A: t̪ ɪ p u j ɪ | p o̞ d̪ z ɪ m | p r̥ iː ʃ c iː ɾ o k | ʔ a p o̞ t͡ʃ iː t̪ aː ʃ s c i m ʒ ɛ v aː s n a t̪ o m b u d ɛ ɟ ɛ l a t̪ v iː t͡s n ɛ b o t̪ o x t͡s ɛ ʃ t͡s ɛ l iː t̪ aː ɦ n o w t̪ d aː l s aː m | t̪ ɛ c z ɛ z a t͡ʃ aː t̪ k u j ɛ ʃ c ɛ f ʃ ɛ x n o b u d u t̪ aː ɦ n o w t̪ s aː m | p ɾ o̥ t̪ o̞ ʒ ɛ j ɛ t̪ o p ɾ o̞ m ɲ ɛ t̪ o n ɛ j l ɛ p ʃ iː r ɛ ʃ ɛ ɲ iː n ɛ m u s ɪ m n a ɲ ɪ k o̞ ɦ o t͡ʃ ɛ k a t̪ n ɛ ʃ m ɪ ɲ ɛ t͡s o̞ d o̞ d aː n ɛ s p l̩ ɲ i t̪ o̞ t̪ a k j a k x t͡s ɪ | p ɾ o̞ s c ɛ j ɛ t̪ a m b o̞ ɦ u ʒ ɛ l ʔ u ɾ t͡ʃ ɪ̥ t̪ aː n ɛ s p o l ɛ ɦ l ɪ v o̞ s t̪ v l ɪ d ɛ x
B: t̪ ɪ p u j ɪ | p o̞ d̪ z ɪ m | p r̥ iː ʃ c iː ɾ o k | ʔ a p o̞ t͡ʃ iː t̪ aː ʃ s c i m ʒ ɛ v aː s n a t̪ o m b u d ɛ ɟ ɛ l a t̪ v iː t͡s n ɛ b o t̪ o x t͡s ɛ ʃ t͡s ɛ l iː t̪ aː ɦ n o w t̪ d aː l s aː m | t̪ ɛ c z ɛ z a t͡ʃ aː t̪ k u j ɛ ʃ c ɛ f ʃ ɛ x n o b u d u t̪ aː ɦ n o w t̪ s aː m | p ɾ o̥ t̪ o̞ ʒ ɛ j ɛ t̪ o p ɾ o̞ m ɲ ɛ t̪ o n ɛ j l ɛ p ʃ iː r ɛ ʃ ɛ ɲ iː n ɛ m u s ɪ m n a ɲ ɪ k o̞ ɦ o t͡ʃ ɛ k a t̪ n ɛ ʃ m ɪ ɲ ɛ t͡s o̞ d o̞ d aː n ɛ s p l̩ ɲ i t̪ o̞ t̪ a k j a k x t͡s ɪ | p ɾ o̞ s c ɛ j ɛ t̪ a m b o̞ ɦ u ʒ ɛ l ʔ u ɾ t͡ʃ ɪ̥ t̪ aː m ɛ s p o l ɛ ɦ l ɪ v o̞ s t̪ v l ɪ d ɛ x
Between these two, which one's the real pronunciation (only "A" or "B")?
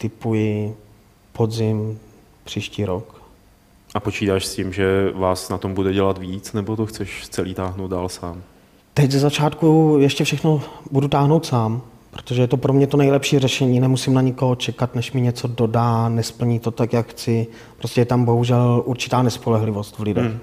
A